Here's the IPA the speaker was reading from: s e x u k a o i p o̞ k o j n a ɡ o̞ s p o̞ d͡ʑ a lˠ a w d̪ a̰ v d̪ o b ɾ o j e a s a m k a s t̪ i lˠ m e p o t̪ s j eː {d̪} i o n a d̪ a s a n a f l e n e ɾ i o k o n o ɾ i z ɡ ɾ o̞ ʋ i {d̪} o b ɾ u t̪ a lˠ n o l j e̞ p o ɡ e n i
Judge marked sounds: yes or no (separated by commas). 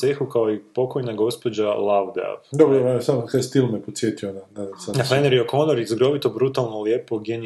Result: no, no